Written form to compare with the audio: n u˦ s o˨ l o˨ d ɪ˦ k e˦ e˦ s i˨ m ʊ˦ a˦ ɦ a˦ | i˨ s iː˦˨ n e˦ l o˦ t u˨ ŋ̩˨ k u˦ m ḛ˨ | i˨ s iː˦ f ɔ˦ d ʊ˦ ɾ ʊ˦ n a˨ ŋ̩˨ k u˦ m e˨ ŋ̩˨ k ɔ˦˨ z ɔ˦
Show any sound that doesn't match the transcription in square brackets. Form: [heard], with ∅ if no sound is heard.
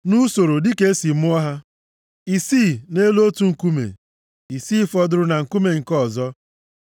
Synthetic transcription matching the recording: n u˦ s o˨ [ɾ] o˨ d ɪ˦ k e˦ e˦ s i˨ m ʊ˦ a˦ ɦ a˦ | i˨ s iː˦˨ n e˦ l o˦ t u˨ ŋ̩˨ k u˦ m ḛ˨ | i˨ s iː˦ f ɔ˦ d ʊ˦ ɾ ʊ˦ n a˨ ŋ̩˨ k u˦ m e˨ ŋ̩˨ k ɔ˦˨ z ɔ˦